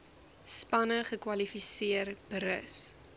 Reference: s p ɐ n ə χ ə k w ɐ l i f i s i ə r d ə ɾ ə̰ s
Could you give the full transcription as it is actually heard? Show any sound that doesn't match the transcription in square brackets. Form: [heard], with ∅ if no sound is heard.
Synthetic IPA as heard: s p ɐ n ə χ ə k w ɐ l i f i s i ə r [b] ə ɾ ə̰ s